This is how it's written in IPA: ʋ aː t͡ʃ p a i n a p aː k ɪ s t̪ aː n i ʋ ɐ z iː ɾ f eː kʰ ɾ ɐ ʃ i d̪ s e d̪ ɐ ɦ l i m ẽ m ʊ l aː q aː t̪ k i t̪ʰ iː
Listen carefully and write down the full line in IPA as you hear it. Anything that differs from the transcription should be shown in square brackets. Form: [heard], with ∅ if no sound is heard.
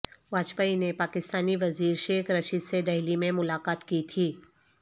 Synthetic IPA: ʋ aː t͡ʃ p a i n [e] p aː k ɪ s t̪ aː n i ʋ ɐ z iː ɾ [ʃ] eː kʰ ɾ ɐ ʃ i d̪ s e d̪ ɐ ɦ l i m ẽ m ʊ l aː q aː t̪ k i t̪ʰ iː